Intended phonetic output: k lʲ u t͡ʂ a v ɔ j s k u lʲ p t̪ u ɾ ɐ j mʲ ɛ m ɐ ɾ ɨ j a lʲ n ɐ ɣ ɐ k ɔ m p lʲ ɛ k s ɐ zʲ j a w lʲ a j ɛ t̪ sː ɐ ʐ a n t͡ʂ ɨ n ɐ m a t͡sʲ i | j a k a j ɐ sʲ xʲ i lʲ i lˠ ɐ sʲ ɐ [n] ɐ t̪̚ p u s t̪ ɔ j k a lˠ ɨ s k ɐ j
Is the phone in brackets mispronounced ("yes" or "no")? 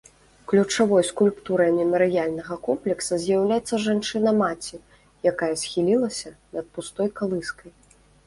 no